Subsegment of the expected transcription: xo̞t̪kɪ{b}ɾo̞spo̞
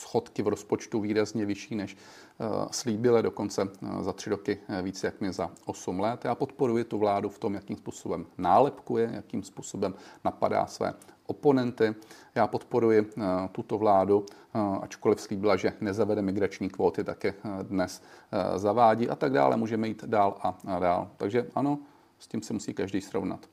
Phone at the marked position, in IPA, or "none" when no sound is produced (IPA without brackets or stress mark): v